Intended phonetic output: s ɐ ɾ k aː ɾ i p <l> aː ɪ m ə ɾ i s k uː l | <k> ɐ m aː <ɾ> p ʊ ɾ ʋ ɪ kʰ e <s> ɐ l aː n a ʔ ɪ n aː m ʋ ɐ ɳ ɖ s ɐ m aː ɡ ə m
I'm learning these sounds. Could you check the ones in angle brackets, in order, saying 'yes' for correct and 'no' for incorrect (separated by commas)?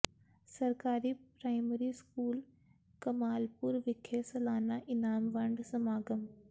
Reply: no, yes, no, yes